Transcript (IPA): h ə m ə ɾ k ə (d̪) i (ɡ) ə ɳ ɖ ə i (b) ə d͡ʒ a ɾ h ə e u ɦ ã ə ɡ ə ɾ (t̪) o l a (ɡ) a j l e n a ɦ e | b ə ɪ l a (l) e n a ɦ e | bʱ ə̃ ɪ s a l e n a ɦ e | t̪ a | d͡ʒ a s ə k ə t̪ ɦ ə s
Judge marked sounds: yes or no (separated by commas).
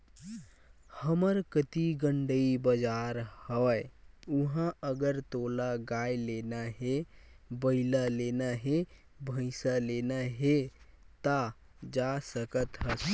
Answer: no, yes, yes, yes, yes, yes